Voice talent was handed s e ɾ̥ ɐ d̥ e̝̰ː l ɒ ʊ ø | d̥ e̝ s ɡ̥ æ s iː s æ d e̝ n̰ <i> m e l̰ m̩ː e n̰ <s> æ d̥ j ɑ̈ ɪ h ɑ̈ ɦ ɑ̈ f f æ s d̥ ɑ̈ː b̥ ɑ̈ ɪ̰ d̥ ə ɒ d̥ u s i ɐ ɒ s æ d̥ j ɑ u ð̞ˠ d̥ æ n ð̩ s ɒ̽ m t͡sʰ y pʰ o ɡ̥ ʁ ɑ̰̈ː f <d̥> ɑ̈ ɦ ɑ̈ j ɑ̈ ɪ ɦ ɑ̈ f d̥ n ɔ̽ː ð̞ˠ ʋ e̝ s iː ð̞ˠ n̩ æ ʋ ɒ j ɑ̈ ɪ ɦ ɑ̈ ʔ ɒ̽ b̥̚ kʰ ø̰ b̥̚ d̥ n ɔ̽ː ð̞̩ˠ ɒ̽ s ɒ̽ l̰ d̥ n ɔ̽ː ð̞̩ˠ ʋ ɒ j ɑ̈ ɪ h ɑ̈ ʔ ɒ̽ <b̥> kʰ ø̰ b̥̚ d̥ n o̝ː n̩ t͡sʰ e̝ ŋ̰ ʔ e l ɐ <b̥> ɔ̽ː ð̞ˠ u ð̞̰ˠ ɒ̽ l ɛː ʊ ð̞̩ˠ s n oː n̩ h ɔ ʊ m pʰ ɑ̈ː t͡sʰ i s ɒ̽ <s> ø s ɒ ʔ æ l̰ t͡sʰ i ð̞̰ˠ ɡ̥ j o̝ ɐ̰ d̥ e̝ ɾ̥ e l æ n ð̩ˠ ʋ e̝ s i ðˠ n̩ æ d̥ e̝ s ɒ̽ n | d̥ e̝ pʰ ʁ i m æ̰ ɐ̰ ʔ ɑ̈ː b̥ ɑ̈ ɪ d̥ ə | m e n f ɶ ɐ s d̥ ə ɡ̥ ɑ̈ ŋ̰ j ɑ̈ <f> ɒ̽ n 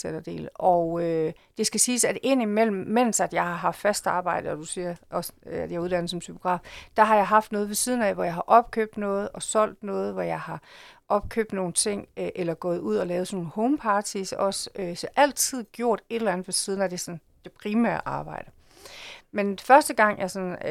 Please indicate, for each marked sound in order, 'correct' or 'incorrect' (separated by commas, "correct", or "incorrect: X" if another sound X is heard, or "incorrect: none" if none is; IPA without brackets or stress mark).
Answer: correct, correct, correct, correct, incorrect: ɡ̥, correct, incorrect: s